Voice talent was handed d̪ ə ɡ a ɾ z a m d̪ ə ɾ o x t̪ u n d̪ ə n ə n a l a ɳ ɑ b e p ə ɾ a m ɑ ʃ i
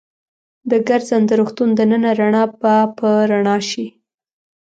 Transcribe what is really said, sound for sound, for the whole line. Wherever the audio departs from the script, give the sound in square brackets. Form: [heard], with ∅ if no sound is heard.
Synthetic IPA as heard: d̪ ə ɡ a ɾ z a [n] d̪ ə ɾ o x t̪ u n d̪ ə n ə n a [ɾ] a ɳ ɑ b [a] p ə ɾ a [ɳ] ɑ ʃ i